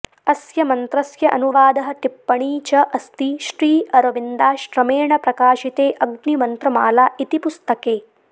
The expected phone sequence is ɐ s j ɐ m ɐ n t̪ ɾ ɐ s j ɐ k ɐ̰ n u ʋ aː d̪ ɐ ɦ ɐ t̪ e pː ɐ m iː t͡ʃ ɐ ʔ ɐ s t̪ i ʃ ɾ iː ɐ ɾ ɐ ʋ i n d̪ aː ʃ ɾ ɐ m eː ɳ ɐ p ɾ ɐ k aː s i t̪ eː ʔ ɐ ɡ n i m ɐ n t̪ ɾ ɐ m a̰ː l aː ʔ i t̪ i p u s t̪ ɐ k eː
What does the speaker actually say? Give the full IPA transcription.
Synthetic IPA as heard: ɐ s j ɐ m ɐ n t̪ ɾ ɐ s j ɐ ʔ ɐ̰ n u ʋ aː d̪ ɐ ɦ ɐ t̪ i pː ɐ ɳ iː t͡ʃ ɐ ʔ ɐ s t̪ i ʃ ɾ iː ɐ ɾ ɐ ʋ i n d̪ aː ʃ ɾ ɐ m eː ɳ ɐ p ɾ ɐ k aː ʃ i t̪ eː ʔ ɐ ɡ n i m ɐ n t̪ ɾ ɐ m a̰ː l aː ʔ i t̪ i p u s t̪ ɐ k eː